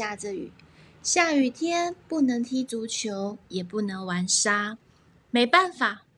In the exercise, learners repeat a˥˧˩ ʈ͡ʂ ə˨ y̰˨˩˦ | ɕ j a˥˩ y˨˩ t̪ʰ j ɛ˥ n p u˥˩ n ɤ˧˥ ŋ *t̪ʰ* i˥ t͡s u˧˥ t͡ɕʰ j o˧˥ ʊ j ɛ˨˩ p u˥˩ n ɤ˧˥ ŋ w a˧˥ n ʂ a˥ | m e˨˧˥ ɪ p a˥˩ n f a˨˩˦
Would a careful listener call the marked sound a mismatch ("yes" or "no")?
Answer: no